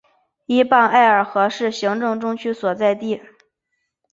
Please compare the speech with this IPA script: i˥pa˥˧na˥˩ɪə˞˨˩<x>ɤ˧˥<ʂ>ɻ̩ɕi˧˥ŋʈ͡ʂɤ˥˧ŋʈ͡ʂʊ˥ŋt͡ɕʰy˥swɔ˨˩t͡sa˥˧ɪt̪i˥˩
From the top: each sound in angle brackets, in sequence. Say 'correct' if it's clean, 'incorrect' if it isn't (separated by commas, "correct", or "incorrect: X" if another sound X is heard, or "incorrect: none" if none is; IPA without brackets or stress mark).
correct, correct